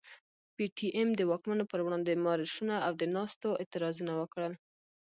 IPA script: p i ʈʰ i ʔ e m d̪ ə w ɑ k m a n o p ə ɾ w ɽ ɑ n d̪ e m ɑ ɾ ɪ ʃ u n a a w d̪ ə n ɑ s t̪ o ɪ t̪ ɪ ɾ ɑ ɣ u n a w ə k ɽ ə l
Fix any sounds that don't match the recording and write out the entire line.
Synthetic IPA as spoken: p i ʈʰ i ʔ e m d̪ ə w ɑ k m a n o p ə ɾ w ɽ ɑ n d̪ e m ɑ ɾ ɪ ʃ u n a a w d̪ ə n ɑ s t̪ o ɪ t̪ ɪ ɾ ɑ z u n a w ə k ɽ ə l